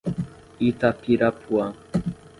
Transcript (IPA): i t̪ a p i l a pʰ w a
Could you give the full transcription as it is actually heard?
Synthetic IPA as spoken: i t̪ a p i ɾ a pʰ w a